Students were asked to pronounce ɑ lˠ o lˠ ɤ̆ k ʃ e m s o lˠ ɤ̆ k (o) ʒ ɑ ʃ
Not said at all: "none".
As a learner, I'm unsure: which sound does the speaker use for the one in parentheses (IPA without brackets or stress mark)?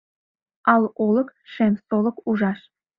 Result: u